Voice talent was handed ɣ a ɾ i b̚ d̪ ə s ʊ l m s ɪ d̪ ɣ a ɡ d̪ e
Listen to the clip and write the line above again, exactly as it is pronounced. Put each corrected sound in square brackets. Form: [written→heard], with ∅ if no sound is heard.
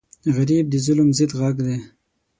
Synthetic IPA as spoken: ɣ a ɾ i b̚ d̪ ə [s→z] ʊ l m [s→z] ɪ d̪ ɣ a ɡ d̪ e